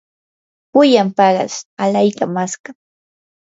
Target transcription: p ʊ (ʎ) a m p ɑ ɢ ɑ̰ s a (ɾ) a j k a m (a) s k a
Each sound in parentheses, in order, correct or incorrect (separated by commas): incorrect, incorrect, correct